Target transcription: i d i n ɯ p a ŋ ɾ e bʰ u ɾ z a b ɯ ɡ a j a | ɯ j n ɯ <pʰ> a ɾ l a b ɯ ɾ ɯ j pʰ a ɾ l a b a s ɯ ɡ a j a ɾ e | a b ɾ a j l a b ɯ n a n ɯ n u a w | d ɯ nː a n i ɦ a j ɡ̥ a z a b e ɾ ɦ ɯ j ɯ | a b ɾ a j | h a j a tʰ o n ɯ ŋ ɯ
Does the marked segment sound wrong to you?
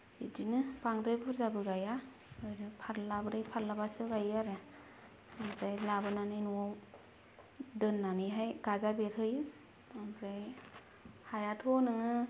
no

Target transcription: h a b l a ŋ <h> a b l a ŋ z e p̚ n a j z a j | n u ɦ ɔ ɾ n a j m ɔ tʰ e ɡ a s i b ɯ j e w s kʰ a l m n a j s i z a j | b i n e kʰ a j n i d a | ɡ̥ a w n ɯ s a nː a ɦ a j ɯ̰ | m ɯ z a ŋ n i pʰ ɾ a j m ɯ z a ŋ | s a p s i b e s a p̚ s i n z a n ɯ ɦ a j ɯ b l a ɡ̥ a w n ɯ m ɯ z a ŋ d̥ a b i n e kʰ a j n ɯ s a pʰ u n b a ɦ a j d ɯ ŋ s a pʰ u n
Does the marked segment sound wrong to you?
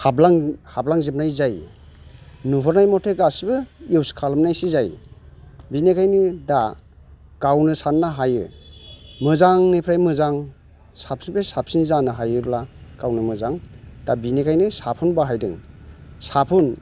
no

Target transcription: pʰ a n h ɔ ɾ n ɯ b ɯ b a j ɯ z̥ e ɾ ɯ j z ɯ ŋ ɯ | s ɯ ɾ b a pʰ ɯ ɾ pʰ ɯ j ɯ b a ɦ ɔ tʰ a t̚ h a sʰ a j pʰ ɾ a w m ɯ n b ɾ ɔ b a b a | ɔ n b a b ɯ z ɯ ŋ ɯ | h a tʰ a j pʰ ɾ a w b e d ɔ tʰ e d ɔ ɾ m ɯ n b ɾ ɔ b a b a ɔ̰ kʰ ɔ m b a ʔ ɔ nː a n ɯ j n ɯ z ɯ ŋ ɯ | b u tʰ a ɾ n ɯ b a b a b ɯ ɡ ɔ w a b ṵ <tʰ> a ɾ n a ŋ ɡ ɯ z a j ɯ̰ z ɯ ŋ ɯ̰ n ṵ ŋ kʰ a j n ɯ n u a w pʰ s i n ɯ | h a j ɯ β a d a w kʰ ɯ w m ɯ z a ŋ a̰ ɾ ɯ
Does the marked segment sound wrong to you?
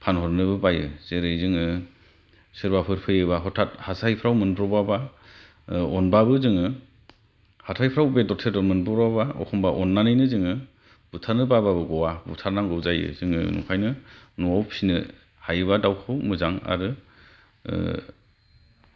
no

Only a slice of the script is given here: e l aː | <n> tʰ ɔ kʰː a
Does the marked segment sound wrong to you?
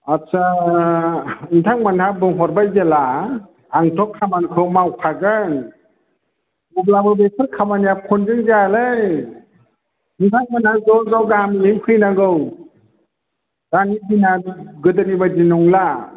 yes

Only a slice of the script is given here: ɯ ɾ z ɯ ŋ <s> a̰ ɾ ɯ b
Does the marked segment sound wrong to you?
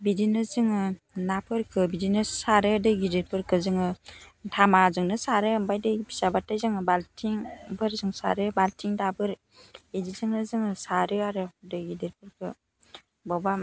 no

